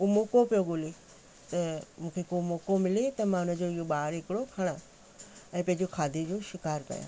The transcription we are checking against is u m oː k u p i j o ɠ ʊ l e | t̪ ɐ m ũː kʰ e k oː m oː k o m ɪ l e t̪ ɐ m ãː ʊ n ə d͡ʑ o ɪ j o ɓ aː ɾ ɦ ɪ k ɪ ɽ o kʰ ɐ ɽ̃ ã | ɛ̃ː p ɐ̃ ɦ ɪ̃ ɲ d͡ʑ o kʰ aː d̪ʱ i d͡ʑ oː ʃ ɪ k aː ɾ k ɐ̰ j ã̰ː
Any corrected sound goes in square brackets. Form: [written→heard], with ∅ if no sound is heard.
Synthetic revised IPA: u m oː k [u→o] p i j o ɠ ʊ l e | t̪ ɐ m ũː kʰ e k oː m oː k o m ɪ l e t̪ ɐ m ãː ʊ n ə d͡ʑ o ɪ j o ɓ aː ɾ ɦ ɪ k ɪ ɽ o kʰ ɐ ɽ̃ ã | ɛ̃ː p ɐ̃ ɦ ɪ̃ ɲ d͡ʑ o kʰ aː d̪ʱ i d͡ʑ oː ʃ ɪ k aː ɾ k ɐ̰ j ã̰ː